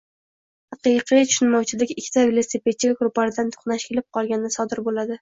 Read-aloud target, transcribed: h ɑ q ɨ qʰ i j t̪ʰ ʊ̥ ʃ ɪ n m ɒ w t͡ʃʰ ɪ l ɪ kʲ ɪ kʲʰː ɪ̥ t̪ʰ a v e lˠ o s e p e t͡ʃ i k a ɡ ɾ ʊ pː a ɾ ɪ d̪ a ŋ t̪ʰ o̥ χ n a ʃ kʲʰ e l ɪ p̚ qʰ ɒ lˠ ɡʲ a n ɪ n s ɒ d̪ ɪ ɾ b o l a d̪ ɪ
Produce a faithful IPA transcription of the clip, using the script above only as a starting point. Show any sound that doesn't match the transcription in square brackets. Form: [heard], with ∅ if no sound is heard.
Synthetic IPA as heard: h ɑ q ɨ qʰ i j t̪ʰ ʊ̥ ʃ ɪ n m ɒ w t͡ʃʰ ɪ l ɪ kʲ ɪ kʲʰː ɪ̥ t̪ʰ a v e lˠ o s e p e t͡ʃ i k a ɡ ɾ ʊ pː a ɾ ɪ d̪ a [n] t̪ʰ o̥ χ n a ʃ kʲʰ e l ɪ p̚ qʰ ɒ lˠ ɡʲ a n ɪ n s ɒ d̪ ɪ ɾ b o l a d̪ ɪ